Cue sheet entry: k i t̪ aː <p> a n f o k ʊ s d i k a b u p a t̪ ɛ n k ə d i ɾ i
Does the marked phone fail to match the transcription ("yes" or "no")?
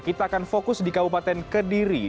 yes